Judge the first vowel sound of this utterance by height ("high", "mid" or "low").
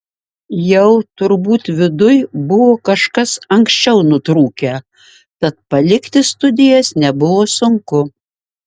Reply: mid